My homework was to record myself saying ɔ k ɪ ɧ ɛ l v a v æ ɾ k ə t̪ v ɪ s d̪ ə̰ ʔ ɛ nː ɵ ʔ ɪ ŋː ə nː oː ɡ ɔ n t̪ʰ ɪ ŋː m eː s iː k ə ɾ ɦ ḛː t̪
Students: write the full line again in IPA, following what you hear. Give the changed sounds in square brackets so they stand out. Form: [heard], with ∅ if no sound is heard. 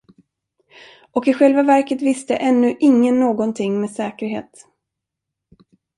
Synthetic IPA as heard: ɔ k ɪ ɧ ɛ l v a v æ ɾ k ə t̪ v ɪ s [t̪] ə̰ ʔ ɛ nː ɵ ʔ ɪ ŋː ə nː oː ɡ ɔ n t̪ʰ ɪ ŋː m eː s [ɛː] k ə ɾ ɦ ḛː t̪